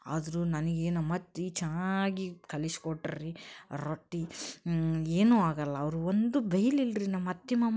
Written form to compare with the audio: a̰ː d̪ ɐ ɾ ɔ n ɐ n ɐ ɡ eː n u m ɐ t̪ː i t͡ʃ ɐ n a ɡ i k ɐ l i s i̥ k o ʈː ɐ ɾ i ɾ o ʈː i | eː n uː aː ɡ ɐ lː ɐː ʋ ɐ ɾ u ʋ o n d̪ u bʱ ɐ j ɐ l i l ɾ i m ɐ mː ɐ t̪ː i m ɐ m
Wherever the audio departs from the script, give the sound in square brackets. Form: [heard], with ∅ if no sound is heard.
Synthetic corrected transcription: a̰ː d̪ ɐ ɾ [u] n ɐ n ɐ ɡ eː n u m ɐ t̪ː i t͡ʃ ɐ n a ɡ i k ɐ l i s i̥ k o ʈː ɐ ɾ i ɾ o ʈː i | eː n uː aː ɡ ɐ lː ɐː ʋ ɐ ɾ u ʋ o n d̪ u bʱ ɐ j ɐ l i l ɾ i [n] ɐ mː ɐ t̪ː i m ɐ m

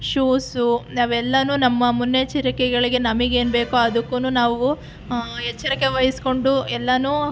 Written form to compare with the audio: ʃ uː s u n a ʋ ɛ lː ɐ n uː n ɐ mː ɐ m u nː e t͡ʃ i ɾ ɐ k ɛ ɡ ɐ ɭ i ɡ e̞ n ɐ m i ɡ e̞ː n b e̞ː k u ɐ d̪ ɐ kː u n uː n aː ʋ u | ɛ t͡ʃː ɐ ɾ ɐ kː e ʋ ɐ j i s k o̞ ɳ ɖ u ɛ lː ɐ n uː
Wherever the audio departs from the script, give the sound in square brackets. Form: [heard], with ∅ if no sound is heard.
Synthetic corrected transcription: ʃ uː s u n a ʋ ɛ lː ɐ n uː n ɐ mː ɐ m u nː e t͡ʃ i ɾ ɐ k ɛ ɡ ɐ ɭ i ɡ e̞ n ɐ m i ɡ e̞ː n b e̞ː k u ɐ d̪ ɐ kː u n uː n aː ʋ u | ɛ t͡ʃː ɐ ɾ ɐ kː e ʋ ɐ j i s k o̞ ɳ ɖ u ɛ lː ɐ n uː

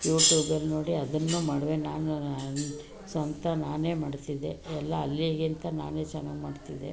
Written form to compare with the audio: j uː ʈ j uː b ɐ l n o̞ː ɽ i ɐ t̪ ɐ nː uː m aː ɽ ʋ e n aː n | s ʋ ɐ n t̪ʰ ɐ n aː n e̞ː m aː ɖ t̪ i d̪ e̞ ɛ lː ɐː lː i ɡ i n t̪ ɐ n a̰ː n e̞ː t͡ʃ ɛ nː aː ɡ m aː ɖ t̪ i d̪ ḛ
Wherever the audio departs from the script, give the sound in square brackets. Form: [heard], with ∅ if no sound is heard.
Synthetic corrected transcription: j uː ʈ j uː b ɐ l n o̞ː ɽ i ɐ [d̪] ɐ nː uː m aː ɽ ʋ e n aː n | s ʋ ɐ n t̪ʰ ɐ n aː n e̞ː m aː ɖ t̪ i d̪ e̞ ɛ lː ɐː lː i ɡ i n t̪ ɐ n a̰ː n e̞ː t͡ʃ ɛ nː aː ɡ m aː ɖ t̪ i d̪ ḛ

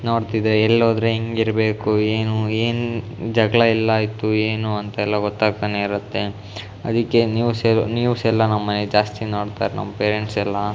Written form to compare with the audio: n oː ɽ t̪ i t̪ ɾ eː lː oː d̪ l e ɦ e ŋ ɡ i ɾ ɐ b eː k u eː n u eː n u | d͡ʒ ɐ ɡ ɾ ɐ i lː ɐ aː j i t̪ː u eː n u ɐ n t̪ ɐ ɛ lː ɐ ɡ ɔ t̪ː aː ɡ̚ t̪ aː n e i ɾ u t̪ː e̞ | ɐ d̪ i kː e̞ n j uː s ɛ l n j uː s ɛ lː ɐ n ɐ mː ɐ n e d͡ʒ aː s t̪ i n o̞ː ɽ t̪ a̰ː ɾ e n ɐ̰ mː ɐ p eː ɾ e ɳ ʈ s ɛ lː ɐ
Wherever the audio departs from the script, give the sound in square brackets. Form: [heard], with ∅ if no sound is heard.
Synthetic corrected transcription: n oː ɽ t̪ i [d̪] ɾ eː lː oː d̪ [ɾ] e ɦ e ŋ ɡ i ɾ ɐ b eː k u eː n u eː n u | d͡ʒ ɐ ɡ [ɭ] ɐ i lː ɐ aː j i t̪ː u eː n u ɐ n t̪ ɐ ɛ lː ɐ ɡ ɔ t̪ː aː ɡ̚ t̪ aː n e i ɾ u t̪ː e̞ | ɐ d̪ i kː e̞ n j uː s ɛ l n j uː s ɛ lː ɐ n ɐ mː ɐ n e d͡ʒ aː s t̪ i n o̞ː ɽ t̪ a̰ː ɾ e n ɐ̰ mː ɐ p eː ɾ e ɳ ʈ s ɛ lː ɐ

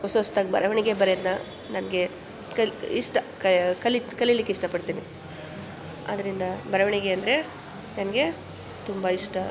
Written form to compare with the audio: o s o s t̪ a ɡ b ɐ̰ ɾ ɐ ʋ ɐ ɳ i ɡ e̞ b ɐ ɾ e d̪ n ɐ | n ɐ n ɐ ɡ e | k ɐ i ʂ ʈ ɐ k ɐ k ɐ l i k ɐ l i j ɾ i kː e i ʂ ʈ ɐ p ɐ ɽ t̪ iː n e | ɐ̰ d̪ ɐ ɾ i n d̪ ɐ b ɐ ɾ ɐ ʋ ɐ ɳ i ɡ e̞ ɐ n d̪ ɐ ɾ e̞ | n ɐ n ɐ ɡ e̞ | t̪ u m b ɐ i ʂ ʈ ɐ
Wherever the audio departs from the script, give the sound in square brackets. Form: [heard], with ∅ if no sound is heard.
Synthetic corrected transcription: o s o s t̪ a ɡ b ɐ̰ ɾ ɐ ʋ ɐ ɳ i ɡ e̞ b ɐ ɾ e d̪ n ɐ | n ɐ n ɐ ɡ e | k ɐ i ʂ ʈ ɐ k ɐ k ɐ l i k ɐ l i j [l] i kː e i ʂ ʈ ɐ p ɐ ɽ t̪ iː n [i] | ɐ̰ d̪ ɐ ɾ i n d̪ ɐ b ɐ ɾ ɐ ʋ ɐ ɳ i ɡ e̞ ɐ n d̪ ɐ ɾ e̞ | n ɐ n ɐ ɡ e̞ | t̪ u m b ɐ i ʂ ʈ ɐ

